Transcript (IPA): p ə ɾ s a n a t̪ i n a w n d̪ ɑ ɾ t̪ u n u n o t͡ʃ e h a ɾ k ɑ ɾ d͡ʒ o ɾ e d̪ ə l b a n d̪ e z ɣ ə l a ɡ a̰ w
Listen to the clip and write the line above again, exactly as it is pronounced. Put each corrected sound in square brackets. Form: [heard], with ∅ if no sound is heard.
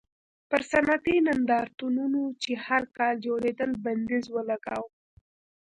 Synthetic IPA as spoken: p ə ɾ s a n a t̪ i n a [∅] n d̪ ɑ ɾ t̪ u n u n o t͡ʃ e h a ɾ k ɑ [l] d͡ʒ o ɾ e d̪ ə l b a n d̪ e z [w] ə l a ɡ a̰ w